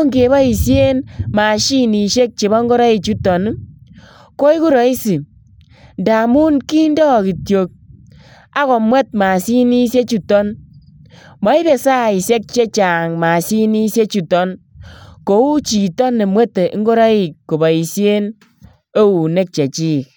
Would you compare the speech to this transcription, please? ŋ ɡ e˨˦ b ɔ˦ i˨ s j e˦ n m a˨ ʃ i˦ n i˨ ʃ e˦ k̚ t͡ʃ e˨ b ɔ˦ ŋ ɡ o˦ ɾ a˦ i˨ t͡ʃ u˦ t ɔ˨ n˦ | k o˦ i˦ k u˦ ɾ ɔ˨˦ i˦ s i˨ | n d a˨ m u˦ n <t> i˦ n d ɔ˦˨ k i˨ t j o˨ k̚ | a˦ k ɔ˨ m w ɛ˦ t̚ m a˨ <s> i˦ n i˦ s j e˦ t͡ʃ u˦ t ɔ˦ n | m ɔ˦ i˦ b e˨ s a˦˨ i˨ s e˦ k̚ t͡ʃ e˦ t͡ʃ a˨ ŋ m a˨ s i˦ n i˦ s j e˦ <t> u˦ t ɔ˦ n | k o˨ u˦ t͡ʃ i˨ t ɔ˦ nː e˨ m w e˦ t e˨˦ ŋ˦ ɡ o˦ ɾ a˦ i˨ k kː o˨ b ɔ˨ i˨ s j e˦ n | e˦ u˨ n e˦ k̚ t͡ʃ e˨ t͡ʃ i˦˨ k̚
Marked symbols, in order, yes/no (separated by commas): no, yes, no